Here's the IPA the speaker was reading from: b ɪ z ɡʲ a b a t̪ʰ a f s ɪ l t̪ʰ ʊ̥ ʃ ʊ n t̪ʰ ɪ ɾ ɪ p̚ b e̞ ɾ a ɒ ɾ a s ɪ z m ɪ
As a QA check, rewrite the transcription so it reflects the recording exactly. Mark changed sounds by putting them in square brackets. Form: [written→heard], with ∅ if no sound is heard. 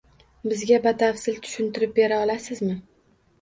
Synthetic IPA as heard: b ɪ z ɡʲ a b a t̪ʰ a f s ɪ l t̪ʰ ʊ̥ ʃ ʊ n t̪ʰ ɪ ɾ ɪ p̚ b e̞ ɾ a ɒ [ɾ→l] a s ɪ z m ɪ

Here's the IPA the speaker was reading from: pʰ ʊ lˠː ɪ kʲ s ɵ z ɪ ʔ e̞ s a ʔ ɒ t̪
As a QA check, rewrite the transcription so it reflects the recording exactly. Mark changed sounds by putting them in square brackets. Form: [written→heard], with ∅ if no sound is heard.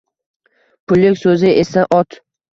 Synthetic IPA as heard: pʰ ʊ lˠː ɪ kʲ s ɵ z ɪ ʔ e̞ s a ʔ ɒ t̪

